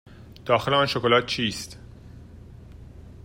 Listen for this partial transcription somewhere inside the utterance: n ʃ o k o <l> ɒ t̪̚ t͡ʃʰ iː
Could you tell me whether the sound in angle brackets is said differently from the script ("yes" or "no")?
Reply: no